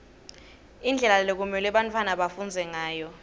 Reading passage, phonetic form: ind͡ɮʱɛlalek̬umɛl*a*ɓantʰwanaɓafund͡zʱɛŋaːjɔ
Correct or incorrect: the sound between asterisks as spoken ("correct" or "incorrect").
incorrect